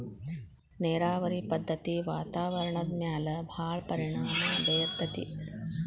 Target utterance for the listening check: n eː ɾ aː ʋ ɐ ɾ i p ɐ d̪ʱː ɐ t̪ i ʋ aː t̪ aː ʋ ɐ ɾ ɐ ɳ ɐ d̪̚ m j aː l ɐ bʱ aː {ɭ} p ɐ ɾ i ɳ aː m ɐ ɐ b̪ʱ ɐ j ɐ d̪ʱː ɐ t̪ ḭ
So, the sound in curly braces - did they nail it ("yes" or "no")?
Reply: yes